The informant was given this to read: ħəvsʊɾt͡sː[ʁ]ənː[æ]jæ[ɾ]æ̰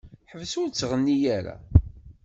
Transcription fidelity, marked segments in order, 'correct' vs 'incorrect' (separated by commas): correct, incorrect, correct